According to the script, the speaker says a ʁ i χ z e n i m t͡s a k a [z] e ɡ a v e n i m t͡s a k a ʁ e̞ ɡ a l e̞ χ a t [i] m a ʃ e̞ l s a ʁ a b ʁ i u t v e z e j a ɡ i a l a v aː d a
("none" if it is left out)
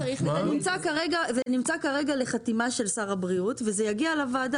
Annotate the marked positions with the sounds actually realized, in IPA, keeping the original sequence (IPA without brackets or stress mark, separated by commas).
ʁ, i